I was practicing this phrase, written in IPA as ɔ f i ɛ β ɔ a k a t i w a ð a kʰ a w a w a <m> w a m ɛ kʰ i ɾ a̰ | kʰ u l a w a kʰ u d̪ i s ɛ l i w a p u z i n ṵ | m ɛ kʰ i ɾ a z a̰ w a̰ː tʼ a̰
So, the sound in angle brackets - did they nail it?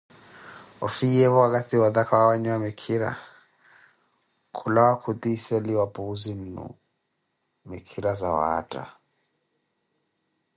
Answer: no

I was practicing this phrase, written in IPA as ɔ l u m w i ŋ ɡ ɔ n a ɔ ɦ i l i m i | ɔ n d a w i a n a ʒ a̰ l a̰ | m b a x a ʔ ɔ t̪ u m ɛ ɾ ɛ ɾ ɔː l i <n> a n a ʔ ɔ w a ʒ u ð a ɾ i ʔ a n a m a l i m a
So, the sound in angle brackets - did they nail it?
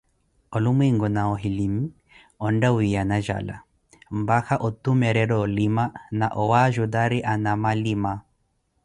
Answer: no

